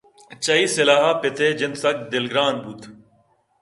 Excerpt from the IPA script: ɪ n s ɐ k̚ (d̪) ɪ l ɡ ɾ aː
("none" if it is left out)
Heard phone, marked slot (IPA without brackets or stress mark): d̪